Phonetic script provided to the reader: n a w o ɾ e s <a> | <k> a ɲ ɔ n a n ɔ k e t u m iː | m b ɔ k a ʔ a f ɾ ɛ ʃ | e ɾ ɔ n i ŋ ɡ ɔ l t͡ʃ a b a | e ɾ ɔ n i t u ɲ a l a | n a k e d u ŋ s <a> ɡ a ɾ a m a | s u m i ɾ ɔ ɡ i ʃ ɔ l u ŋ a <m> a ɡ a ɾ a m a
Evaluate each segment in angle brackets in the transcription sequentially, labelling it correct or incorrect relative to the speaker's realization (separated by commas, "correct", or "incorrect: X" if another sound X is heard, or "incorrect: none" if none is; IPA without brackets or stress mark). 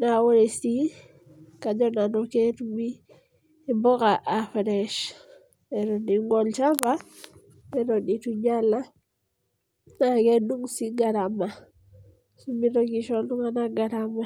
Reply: incorrect: i, correct, incorrect: i, incorrect: n